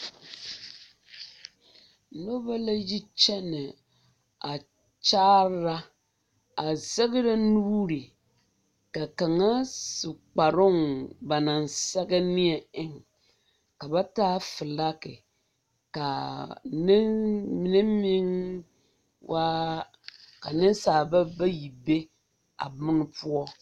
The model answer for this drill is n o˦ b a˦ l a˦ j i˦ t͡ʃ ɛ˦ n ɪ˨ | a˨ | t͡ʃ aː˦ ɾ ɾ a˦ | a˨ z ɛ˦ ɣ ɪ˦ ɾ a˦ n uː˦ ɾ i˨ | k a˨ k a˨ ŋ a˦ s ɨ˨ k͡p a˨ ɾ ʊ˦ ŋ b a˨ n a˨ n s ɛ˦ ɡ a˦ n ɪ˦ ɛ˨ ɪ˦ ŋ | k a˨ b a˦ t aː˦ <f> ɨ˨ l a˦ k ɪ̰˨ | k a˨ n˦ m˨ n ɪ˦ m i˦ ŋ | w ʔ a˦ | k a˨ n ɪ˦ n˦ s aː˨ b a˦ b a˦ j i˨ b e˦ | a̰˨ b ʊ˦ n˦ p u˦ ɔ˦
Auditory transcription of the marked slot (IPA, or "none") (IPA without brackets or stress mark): f